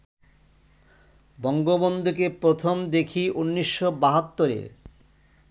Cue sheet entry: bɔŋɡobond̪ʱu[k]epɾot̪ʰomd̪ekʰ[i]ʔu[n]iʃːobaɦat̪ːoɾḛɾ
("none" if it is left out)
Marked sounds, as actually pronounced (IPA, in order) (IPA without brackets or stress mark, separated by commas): k, i, nː